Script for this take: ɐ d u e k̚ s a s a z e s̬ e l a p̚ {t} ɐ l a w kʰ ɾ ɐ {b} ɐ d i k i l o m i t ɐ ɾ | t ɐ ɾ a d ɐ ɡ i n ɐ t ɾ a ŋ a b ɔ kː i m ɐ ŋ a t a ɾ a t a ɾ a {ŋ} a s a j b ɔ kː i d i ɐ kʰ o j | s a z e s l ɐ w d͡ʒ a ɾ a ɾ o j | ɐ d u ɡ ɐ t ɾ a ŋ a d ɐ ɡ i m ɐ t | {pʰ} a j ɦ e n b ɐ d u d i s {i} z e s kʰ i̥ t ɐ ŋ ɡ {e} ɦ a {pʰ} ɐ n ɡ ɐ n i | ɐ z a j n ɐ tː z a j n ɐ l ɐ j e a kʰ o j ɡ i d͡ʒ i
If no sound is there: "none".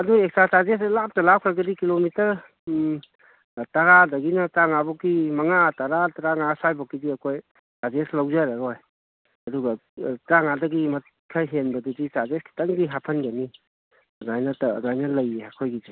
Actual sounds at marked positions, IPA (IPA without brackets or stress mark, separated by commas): t, ɡ, ŋ, kʰ, a, i, pʰ